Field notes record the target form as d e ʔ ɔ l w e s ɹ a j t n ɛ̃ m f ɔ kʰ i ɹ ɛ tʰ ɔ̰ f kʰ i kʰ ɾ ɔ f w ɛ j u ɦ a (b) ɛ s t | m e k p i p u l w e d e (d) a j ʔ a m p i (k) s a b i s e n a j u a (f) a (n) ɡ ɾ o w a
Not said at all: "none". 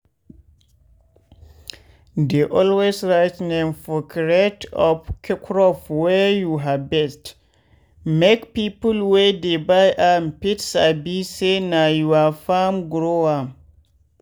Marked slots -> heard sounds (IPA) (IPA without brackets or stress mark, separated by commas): b, b, t, f, m